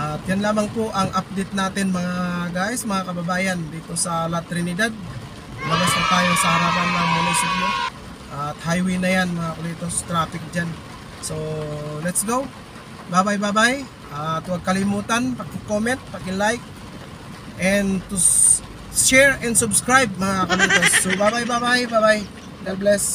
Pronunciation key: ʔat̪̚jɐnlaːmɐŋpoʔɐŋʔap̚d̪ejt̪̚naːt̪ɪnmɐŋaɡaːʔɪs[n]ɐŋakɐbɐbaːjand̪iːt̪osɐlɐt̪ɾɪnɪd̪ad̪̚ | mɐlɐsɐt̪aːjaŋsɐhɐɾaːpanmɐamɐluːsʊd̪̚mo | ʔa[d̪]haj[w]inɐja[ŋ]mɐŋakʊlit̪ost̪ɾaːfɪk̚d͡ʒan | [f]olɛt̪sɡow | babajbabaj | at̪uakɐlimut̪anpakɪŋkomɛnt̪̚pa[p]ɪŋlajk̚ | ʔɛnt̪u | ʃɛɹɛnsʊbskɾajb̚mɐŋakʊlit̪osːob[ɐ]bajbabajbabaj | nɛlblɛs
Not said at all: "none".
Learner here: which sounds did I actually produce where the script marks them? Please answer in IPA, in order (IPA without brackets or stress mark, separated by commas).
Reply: m, t̪, w, n, s, k, a